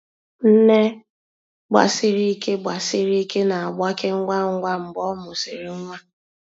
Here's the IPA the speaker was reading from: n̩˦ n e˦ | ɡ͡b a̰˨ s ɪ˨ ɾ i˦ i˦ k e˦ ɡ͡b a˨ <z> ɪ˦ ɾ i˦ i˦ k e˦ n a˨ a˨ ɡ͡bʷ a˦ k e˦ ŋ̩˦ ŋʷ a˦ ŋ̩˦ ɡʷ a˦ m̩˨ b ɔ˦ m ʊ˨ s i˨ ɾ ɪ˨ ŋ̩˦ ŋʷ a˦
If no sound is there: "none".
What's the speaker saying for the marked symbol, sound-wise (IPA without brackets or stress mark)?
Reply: s